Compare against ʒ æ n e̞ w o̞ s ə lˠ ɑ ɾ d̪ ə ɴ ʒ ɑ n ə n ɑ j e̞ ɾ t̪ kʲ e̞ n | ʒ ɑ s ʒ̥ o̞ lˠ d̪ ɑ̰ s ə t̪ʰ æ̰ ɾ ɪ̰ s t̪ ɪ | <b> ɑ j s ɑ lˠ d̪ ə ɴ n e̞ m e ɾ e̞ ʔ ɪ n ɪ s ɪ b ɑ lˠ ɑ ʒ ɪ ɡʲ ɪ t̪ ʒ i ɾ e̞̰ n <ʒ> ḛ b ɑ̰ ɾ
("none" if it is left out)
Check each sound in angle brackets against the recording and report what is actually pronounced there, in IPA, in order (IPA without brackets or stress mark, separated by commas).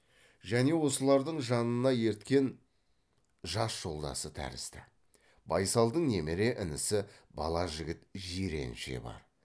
b, ʃ